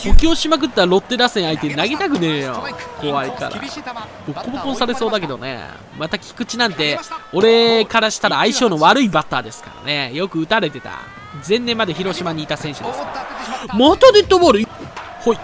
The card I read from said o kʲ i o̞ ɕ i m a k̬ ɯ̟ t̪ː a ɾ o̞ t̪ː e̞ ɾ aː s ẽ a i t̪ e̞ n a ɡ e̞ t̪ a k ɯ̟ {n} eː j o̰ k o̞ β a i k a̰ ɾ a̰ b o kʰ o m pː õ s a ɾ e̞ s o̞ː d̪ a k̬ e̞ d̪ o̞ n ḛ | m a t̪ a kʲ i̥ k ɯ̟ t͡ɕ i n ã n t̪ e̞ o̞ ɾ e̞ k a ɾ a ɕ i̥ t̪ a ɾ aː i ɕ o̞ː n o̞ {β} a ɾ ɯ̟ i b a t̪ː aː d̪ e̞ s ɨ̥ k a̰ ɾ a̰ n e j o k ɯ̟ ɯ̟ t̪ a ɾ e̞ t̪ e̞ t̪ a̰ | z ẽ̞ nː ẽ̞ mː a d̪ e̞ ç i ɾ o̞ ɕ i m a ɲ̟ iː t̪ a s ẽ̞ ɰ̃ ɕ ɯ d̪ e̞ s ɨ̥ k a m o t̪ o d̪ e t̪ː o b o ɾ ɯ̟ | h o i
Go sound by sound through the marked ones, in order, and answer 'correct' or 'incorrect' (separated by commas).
correct, correct